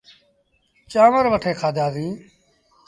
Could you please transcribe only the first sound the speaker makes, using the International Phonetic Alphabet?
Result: t͡ʃ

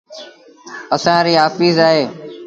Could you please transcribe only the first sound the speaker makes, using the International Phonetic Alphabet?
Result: ə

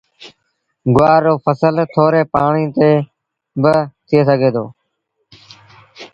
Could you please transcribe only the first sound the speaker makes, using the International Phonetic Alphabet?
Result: ɡ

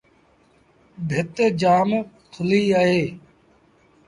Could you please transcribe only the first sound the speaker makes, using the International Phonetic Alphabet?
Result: bʱ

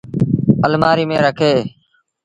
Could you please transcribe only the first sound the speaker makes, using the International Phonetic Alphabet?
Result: ə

